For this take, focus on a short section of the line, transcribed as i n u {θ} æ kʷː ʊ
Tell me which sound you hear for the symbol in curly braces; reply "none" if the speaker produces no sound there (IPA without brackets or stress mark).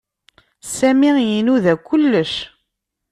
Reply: ð